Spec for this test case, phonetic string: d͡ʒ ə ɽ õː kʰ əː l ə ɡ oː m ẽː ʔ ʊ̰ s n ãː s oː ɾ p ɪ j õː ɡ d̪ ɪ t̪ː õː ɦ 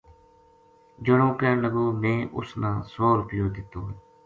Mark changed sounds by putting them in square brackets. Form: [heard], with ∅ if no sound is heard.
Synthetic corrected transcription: d͡ʒ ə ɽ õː [k] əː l ə ɡ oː m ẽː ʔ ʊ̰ s n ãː s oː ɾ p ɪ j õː [∅] d̪ ɪ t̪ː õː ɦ